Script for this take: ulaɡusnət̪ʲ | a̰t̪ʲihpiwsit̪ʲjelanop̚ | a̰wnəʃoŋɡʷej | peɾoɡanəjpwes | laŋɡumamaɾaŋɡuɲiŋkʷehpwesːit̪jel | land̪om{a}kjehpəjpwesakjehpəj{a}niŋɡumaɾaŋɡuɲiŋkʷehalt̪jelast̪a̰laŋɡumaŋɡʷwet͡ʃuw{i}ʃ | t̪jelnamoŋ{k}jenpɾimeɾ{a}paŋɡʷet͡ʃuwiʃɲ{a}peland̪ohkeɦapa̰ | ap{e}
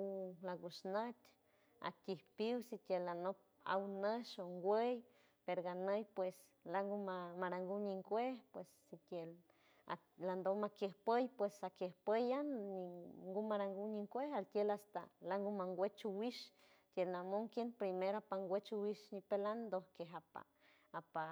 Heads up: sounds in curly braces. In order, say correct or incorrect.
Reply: correct, correct, correct, correct, correct, incorrect: i, incorrect: a

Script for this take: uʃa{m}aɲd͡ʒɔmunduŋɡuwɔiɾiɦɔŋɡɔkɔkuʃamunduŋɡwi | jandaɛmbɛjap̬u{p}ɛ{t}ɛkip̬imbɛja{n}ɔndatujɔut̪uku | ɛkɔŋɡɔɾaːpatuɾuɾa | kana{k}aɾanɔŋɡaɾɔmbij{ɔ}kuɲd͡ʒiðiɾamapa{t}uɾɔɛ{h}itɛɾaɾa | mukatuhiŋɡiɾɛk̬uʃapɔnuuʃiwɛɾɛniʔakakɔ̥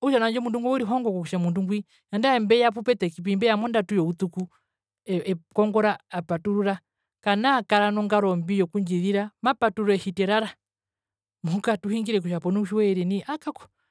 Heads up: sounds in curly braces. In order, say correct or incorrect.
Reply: incorrect: n, correct, correct, incorrect: m, correct, correct, correct, correct

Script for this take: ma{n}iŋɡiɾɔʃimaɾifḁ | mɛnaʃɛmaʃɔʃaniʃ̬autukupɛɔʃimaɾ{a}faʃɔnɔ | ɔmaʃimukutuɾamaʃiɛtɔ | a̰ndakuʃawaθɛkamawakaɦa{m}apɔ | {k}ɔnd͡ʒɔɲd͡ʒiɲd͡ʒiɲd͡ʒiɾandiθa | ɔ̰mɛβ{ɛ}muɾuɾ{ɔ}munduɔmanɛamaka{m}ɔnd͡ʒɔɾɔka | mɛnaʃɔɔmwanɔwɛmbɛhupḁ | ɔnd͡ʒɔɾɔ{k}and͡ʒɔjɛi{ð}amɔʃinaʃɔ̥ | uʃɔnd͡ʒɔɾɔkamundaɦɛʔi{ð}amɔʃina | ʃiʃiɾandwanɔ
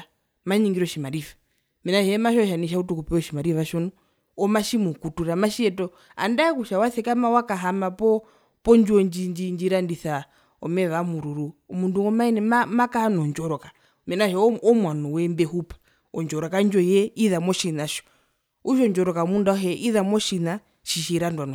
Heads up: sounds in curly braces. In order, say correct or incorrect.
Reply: incorrect: ɲ, incorrect: i, correct, incorrect: p, incorrect: a, incorrect: u, incorrect: n, correct, correct, correct

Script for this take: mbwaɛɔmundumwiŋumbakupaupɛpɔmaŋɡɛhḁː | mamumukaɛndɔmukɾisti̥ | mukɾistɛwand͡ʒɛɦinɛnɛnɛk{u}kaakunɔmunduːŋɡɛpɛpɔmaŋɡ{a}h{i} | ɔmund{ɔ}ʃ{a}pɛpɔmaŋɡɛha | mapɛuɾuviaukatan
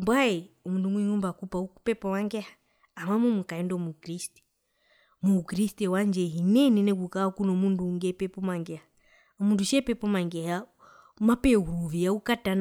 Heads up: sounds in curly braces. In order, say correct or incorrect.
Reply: correct, incorrect: ɛ, incorrect: a, incorrect: u, incorrect: ɛ

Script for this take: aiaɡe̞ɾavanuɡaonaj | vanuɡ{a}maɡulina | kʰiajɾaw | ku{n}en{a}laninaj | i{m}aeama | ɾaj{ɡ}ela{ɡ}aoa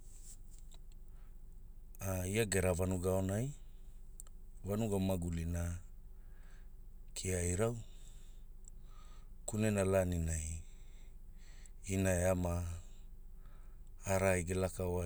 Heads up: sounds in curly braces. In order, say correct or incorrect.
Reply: correct, correct, correct, incorrect: n, correct, incorrect: k

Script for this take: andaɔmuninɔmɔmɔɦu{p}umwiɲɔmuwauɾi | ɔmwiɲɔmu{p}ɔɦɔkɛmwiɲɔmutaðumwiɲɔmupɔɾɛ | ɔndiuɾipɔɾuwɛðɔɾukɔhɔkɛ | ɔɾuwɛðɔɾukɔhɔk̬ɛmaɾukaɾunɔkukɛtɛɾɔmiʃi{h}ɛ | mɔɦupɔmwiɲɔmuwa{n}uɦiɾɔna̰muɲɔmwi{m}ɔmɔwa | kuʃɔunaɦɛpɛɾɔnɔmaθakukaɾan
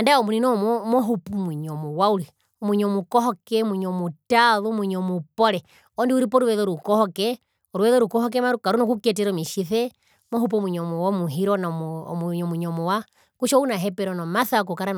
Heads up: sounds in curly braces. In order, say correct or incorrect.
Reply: correct, incorrect: k, incorrect: θ, incorrect: m, incorrect: ɲ

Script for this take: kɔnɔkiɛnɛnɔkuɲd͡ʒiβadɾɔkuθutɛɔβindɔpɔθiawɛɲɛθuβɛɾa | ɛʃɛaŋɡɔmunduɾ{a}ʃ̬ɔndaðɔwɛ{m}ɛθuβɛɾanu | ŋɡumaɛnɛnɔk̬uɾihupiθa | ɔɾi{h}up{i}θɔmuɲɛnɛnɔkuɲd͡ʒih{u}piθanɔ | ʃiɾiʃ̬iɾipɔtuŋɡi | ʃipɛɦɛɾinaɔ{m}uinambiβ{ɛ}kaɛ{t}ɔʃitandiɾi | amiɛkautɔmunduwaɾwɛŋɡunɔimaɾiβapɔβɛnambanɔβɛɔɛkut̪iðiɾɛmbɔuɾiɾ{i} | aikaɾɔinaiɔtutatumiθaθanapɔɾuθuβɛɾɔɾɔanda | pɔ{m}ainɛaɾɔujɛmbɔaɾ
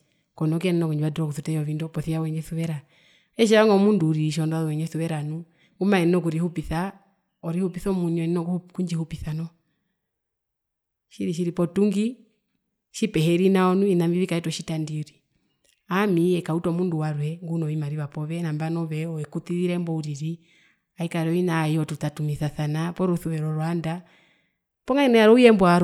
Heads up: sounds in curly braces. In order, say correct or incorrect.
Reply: incorrect: i, incorrect: ɲ, correct, correct, correct, incorrect: n, incorrect: i, correct, correct, incorrect: ŋ

